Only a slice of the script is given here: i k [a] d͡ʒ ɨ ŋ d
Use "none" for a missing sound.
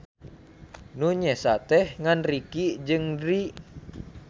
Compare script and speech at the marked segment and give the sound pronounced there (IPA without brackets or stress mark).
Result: i